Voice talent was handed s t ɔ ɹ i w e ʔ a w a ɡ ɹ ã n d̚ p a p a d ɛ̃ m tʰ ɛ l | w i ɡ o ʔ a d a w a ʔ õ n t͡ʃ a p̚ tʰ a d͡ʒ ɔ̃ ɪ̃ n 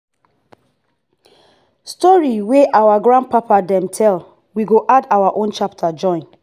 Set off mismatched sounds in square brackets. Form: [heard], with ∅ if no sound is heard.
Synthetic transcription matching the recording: s t ɔ ɹ i w e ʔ a w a ɡ ɹ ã n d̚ p a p a d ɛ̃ m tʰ ɛ l | w i ɡ o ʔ a d a w a ʔ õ n t͡ʃ a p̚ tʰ a d͡ʒ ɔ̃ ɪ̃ n

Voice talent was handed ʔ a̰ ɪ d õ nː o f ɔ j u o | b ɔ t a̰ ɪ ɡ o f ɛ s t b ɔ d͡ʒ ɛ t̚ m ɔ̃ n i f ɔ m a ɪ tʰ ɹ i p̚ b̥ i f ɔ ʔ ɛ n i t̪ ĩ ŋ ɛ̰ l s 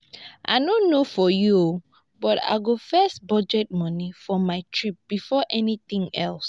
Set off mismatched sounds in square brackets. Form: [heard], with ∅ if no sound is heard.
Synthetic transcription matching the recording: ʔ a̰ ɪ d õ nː o f ɔ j u o | b ɔ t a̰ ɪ ɡ o f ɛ s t b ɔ d͡ʒ ɛ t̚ m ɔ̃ n i f ɔ m a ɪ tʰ ɹ i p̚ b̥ i f ɔ ʔ ɛ n i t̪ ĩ ŋ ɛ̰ l s

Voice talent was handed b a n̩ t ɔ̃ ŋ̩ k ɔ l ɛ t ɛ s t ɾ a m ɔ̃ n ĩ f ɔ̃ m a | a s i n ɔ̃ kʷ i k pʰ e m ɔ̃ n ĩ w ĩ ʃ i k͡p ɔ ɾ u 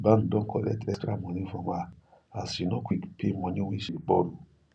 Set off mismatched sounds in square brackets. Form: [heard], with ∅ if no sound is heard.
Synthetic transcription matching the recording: b a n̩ [d] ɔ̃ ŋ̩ k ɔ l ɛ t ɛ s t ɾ a m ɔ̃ n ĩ f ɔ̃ m a | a s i n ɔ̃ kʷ i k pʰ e m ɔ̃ n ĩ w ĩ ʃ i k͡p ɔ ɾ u

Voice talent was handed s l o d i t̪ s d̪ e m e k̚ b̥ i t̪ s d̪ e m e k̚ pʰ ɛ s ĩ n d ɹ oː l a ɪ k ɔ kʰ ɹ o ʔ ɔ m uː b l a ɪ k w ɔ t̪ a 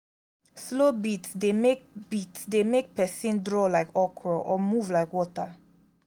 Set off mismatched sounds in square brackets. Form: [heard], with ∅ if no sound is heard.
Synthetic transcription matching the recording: s l o [b] i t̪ s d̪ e m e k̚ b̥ i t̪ s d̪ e m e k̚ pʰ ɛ s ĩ n d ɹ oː l a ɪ k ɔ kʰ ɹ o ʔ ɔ m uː [v] l a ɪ k w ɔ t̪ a

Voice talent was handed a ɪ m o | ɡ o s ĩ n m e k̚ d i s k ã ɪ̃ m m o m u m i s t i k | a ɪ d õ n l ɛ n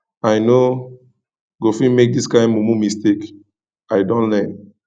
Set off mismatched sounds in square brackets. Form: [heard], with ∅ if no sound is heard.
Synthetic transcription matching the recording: a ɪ [n] o | ɡ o [f] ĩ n m e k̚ d i s k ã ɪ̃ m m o m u m i s t [e] k | a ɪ d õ n l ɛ n

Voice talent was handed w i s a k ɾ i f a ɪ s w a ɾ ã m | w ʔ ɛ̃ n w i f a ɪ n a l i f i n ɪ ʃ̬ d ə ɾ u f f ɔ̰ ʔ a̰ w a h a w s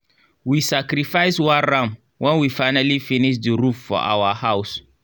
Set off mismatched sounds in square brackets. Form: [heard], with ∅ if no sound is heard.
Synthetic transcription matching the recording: w i s a k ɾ i f a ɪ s w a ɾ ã m | w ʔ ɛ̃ n w i f a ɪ n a l i f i n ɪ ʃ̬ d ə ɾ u f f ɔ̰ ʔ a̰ w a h a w s

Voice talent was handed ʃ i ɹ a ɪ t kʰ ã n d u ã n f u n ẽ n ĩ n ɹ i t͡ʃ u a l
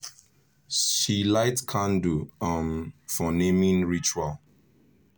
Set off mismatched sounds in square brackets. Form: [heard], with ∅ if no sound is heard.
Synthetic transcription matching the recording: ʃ i [l] a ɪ t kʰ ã n d u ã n f [ɔ] n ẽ [m] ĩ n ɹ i t͡ʃ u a l

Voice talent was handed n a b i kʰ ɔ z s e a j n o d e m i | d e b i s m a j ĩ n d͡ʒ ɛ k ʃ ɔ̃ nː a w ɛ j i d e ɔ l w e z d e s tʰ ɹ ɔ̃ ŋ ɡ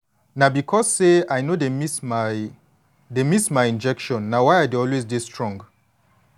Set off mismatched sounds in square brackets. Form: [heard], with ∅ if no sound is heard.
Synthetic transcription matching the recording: n a b i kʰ ɔ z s e a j n o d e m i | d e [m] i s m a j ĩ n d͡ʒ ɛ k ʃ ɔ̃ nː a w [a] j [a] d e ɔ l w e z d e s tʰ ɹ ɔ̃ ŋ ɡ

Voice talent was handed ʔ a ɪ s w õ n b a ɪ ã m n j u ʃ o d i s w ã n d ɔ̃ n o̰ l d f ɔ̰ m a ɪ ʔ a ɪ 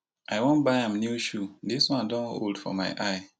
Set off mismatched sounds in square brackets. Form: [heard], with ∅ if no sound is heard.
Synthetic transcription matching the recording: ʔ a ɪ [∅] w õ n b a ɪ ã m n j u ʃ [u] d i s w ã n d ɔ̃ n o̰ l d f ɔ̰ m a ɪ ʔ a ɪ

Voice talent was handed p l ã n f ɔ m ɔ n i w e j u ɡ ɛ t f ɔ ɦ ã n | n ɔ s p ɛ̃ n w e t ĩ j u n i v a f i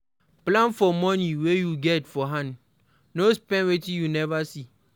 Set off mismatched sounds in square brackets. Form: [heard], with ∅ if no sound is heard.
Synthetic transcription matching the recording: p l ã n f ɔ m ɔ n i w e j u ɡ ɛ t f ɔ ɦ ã n | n [o] s p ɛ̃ n w e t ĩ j u n [ɛ] v a [s] i

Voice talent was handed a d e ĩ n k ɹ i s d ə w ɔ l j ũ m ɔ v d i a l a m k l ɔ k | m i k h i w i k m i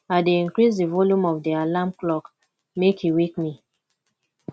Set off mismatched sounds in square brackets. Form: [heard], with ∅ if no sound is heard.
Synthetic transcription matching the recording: a d e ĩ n k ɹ i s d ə [v] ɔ l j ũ m ɔ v d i a l a m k l ɔ k | m [e] k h i w i k m i

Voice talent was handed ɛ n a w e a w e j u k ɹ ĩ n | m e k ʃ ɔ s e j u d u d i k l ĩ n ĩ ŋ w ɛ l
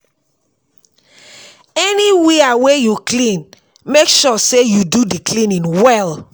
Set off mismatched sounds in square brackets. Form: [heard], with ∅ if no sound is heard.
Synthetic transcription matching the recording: ɛ n [i] w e a w e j u k [l] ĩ n | m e k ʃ ɔ s e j u d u d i k l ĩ n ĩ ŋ w ɛ l

